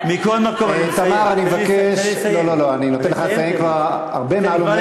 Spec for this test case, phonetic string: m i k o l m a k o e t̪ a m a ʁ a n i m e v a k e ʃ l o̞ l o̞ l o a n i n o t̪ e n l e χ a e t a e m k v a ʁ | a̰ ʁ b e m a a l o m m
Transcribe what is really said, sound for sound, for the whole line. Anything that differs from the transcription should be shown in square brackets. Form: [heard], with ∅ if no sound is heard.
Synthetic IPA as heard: m i k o l m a k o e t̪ a m a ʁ a n i m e v a k e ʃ l o̞ l o̞ l o a n i n o t̪ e n l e χ a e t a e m k v a ʁ | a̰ ʁ b e m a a l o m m